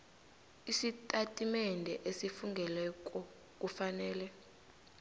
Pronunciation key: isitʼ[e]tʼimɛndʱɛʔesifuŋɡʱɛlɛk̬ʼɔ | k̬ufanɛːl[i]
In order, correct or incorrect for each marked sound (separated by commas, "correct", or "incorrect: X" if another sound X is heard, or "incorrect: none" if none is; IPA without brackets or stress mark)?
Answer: incorrect: a, incorrect: ɛ